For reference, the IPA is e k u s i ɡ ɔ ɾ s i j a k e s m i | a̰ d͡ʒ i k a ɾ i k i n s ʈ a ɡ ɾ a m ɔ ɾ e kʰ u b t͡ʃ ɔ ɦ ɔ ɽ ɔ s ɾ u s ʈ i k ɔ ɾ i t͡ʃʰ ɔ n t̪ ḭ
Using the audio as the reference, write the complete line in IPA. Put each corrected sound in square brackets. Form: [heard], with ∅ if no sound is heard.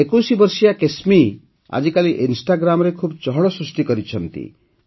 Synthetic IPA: e k u s i [b] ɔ ɾ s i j a k e s m i | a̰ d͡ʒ i k a [l] i [ʔ] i n s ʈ a ɡ ɾ a m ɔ ɾ e kʰ u b t͡ʃ ɔ ɦ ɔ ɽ ɔ s ɾ u s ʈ i k ɔ ɾ i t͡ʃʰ ɔ n t̪ ḭ